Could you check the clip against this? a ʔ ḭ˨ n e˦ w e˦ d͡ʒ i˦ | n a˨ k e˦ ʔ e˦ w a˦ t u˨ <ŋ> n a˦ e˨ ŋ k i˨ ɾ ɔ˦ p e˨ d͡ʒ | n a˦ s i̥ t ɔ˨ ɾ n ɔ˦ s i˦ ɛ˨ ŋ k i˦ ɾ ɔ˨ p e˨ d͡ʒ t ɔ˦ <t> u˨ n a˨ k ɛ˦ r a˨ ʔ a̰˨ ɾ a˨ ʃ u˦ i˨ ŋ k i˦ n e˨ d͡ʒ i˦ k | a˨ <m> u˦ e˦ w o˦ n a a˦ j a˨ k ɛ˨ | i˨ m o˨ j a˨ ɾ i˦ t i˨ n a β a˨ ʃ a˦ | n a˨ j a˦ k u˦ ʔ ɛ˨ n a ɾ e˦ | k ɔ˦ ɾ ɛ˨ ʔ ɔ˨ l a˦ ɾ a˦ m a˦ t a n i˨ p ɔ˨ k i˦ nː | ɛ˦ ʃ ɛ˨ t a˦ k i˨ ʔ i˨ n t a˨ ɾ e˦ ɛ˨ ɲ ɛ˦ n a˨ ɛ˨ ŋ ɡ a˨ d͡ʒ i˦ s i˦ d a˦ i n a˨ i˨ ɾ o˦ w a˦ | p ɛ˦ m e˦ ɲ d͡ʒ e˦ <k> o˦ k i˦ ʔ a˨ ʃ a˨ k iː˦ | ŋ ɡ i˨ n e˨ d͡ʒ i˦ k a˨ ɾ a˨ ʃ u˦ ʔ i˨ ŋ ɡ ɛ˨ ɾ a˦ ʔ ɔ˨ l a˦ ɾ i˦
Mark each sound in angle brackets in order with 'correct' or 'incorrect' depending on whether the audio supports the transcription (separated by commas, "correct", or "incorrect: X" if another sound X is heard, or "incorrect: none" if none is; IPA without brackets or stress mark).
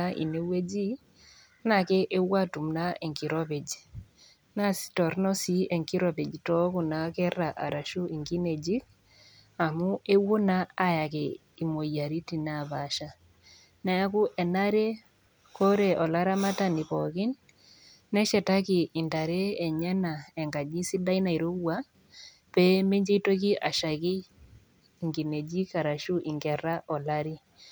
incorrect: m, incorrect: k, correct, incorrect: t